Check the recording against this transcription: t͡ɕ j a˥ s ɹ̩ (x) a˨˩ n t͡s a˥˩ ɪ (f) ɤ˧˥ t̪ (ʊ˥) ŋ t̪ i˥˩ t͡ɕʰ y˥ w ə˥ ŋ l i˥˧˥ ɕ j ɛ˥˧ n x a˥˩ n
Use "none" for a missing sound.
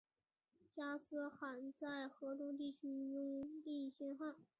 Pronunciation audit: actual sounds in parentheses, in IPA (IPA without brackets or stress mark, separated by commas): x, x, ʊ˥